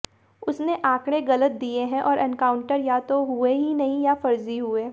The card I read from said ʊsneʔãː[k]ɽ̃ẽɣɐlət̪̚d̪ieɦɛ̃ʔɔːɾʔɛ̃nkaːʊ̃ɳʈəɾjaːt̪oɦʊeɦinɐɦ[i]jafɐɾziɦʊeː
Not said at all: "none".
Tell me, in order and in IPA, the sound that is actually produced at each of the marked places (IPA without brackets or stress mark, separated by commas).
k, ĩ